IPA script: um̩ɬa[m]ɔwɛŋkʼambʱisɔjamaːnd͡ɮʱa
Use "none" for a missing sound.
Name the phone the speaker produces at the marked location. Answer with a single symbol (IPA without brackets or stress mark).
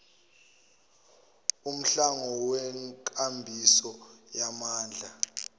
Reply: ŋ